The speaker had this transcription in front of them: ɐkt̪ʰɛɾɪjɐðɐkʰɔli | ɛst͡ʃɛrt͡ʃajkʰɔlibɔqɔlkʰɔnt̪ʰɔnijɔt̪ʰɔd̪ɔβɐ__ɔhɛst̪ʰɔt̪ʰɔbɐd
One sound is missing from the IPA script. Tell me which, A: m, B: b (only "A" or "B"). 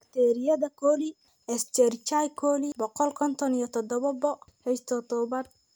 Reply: B